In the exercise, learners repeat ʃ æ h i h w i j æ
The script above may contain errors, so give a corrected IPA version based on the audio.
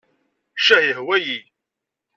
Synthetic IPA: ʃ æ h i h w æ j i